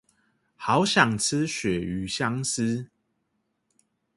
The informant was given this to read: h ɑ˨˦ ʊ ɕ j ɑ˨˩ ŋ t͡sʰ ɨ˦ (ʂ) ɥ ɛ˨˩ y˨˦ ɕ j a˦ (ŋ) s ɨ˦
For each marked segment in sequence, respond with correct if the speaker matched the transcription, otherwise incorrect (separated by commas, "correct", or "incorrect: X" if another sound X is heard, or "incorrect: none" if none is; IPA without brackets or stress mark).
incorrect: ɕ, correct